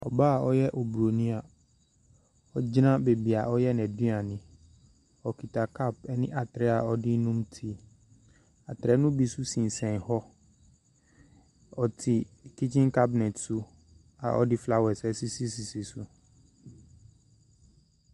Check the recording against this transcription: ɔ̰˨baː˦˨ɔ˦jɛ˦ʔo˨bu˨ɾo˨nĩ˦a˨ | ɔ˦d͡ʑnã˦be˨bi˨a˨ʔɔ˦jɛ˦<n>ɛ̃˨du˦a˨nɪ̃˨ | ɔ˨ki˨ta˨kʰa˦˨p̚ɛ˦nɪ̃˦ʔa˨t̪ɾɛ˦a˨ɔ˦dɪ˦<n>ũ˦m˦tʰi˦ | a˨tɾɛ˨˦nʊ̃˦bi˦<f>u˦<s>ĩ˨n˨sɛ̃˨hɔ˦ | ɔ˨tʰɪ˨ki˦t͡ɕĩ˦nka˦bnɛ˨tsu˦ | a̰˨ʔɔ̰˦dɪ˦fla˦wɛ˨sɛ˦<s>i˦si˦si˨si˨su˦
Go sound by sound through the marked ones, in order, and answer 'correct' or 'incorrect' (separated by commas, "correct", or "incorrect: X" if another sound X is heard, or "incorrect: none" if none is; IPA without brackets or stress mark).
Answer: correct, correct, incorrect: s, correct, correct